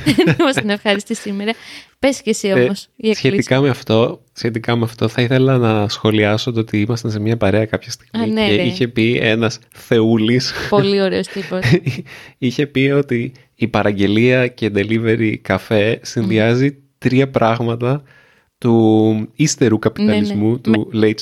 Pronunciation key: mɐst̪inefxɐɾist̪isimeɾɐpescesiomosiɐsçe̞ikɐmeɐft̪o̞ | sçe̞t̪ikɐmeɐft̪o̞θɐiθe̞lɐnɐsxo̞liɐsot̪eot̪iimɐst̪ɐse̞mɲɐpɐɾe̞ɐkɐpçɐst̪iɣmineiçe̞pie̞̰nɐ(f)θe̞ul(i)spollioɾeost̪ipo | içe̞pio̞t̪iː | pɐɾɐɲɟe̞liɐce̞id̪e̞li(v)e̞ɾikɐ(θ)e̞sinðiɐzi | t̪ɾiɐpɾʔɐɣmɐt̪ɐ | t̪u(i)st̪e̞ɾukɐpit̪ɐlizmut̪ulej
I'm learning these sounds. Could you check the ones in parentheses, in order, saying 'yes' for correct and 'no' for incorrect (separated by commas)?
no, yes, yes, no, yes